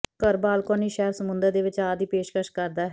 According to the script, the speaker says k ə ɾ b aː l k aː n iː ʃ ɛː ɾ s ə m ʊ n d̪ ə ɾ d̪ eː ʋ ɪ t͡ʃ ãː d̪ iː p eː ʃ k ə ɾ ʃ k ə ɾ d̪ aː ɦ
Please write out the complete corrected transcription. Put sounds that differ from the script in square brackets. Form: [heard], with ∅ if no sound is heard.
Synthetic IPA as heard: k ə ɾ b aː l k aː n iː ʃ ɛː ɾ s ə m ʊ n d̪ ə ɾ d̪ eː ʋ ɪ t͡ʃ [aː] d̪ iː p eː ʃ k ə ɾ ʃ k ə ɾ d̪ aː ɦ